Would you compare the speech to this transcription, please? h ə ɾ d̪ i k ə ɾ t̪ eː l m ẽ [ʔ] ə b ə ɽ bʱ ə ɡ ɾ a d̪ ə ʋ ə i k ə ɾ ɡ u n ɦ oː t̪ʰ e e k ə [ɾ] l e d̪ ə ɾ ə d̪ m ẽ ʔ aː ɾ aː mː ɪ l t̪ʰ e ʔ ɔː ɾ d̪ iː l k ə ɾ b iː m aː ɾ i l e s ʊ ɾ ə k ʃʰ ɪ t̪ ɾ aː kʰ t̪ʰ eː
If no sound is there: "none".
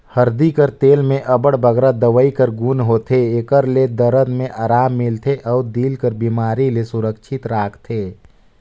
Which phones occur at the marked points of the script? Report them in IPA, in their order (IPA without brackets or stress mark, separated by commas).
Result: ʔ, ɾ